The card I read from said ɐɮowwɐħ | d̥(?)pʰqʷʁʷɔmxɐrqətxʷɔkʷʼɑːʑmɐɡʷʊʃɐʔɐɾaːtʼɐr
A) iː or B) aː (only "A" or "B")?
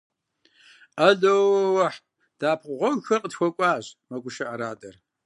B